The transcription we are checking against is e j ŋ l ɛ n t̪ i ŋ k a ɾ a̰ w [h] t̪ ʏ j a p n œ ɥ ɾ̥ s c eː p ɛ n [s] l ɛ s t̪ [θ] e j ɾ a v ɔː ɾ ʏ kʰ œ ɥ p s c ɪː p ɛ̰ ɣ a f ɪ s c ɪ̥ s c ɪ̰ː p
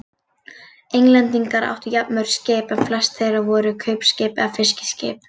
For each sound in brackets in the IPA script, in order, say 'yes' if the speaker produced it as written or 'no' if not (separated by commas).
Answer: yes, no, yes